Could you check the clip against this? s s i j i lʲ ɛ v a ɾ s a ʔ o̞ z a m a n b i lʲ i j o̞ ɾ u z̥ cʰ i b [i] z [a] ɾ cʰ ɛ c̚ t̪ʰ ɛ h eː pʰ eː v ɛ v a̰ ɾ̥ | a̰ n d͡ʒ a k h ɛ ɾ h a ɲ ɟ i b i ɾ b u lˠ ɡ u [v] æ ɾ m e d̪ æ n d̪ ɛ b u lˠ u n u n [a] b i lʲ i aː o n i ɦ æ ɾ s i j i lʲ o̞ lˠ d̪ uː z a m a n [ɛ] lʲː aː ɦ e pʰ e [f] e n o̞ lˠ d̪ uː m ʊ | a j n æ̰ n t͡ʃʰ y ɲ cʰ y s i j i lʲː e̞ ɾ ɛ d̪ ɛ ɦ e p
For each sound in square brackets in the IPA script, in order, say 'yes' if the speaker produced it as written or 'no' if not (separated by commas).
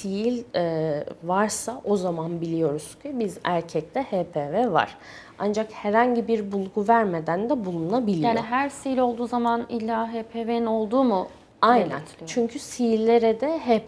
yes, no, yes, yes, no, no